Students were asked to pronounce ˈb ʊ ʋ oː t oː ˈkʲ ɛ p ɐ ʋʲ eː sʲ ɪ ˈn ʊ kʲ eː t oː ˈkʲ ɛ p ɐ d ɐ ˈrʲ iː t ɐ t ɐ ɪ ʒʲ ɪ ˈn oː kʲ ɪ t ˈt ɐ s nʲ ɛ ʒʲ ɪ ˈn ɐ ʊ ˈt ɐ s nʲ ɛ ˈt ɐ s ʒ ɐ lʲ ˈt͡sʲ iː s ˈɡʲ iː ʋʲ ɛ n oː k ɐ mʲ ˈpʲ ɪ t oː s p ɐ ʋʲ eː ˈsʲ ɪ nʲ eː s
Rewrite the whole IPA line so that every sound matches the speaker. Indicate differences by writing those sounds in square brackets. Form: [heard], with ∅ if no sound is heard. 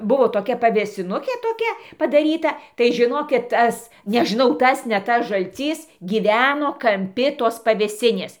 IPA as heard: ˈb ʊ ʋ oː t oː ˈkʲ ɛ p ɐ ʋʲ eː sʲ ɪ ˈn ʊ kʲ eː t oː ˈkʲ ɛ p ɐ d ɐ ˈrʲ iː t ɐ t ɐ ɪ ʒʲ ɪ ˈn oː kʲ ɪ t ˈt ɐ s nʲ ɛ ʒʲ ɪ ˈn ɐ ʊ ˈt ɐ s nʲ ɛ ˈt ɐ s ʒ ɐ lʲ ˈt͡sʲ iː s ˈɡʲ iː ʋʲ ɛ n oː k ɐ mʲ ˈpʲ ɪ t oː s p ɐ ʋʲ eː ˈsʲ ɪ nʲ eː s